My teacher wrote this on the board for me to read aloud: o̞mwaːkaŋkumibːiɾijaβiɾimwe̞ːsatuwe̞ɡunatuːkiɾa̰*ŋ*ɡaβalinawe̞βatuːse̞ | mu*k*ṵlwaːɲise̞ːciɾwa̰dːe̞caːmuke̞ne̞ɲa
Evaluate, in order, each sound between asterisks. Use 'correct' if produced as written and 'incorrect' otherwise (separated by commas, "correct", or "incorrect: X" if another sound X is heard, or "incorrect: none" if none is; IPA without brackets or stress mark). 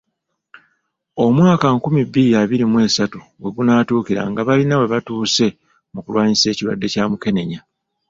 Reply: correct, correct